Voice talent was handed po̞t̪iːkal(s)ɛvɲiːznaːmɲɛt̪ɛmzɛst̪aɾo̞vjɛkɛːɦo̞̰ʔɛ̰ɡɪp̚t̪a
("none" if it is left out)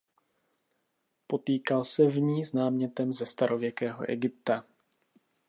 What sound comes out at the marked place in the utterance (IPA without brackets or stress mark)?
s